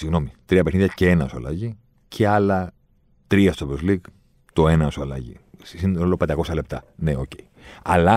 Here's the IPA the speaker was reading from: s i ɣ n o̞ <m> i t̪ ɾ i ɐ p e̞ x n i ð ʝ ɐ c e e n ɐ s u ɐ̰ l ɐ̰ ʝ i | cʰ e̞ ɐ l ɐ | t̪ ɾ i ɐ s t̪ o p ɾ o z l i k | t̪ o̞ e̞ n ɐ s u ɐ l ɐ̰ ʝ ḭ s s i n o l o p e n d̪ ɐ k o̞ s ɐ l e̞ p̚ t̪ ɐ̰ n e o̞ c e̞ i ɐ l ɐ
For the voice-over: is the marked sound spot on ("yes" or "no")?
yes